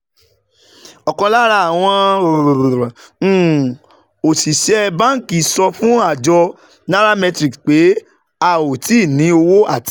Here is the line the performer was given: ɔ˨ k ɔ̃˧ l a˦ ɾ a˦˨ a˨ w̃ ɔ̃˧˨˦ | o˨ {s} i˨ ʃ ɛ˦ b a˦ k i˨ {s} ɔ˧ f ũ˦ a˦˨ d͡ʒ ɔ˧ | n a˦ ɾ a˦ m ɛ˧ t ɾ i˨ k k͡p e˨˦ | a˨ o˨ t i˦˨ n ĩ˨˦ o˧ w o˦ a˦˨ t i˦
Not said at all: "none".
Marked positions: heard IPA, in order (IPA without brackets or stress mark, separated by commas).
s, s